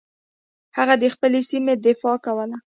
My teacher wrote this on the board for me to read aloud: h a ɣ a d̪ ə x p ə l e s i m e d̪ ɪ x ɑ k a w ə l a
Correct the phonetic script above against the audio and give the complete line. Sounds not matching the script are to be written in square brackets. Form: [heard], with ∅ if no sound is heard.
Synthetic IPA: h a ɣ a d̪ ə x p ə l e s i m e d̪ ɪ [f] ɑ k a w ə l a